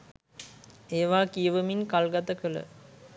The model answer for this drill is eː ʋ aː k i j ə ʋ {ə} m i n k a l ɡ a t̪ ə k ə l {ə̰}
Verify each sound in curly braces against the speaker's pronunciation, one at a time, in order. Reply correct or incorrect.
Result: correct, correct

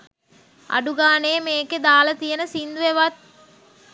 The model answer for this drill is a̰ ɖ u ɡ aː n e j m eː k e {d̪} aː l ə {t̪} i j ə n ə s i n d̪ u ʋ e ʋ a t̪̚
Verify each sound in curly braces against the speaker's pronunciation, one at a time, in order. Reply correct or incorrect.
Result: correct, correct

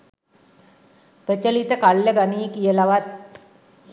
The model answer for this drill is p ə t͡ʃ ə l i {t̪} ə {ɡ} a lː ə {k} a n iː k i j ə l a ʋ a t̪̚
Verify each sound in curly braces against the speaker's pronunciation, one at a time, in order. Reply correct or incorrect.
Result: correct, incorrect: k, incorrect: ɡ

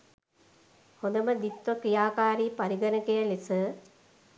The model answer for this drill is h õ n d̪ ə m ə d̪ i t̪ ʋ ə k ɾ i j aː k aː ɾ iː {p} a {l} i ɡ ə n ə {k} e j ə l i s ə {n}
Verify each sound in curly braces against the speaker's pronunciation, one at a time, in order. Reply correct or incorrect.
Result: correct, incorrect: ɾ, correct, incorrect: none

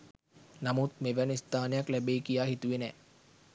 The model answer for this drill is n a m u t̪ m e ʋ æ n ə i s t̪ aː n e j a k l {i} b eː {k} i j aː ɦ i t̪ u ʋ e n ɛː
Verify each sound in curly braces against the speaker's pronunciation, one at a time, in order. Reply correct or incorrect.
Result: incorrect: æ, correct

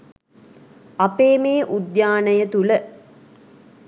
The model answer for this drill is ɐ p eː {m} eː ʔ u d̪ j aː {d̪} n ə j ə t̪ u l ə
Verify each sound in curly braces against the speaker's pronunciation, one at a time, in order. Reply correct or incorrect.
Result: correct, incorrect: none

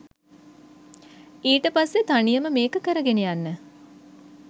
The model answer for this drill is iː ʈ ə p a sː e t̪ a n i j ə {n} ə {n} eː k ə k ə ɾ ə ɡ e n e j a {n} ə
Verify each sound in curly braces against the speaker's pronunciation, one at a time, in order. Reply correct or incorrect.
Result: incorrect: m, incorrect: m, incorrect: nː

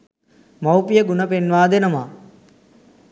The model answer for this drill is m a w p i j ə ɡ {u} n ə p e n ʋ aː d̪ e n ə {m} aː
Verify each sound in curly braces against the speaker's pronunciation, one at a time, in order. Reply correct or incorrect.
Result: correct, correct

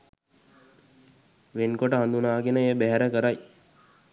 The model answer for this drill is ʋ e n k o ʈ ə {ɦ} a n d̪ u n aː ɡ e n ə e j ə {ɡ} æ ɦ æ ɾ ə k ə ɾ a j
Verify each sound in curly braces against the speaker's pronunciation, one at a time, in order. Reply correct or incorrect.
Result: correct, incorrect: b

